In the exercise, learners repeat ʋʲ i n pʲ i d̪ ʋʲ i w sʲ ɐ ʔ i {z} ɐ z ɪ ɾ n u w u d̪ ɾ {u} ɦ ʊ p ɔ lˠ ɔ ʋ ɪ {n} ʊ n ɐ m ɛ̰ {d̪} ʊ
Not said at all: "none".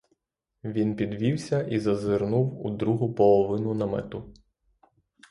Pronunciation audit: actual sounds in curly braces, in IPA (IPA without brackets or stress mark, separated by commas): z, u, n, t̪